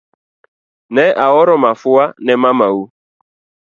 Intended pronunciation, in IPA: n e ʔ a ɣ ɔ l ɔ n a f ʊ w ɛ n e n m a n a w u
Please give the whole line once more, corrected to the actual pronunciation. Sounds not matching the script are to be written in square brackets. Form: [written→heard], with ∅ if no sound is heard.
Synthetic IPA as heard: n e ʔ a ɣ ɔ [l→ɾ] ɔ [n→m] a f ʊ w [ɛ→a] n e [n→∅] m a [n→m] a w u